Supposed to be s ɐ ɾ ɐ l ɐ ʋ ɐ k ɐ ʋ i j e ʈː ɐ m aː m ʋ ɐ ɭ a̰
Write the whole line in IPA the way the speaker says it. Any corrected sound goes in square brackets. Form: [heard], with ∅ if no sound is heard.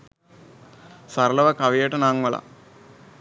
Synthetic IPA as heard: s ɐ ɾ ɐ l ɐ ʋ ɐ k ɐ ʋ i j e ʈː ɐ [n] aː [ŋ] ʋ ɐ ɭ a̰